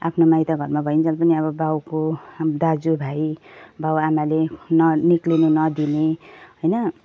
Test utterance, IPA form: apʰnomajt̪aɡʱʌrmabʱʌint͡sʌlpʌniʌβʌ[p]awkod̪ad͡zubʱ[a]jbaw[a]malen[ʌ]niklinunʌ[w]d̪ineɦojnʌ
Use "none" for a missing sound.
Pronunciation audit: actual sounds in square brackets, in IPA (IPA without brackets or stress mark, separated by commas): b, a, a, ʌ, none